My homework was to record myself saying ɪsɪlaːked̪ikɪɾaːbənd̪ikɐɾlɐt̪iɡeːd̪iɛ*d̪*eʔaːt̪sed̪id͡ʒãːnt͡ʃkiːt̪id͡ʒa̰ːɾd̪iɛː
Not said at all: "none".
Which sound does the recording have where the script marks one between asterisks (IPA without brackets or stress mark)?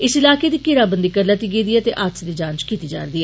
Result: t̪